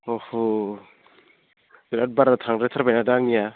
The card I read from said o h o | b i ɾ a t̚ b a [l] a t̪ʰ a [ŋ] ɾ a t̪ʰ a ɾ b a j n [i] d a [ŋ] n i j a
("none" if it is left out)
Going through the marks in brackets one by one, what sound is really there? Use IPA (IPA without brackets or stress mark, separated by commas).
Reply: ɾ, ŋ, a, ŋ